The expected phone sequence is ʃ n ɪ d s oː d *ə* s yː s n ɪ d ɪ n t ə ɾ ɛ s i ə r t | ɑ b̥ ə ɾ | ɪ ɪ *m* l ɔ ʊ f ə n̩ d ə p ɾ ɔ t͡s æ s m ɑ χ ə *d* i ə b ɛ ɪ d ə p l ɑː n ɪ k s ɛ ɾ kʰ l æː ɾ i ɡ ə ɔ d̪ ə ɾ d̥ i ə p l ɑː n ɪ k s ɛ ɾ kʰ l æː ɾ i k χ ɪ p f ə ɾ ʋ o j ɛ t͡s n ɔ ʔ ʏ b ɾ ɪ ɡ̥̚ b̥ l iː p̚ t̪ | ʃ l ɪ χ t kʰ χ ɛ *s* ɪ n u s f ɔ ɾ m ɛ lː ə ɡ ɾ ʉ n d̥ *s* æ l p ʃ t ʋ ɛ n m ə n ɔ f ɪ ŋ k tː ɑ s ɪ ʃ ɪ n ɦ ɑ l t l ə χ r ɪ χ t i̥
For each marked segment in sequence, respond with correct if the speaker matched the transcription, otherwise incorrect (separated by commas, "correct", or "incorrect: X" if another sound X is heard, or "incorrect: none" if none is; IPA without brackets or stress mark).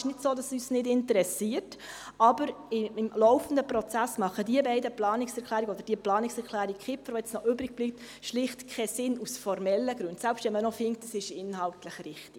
incorrect: ɑ, correct, correct, correct, correct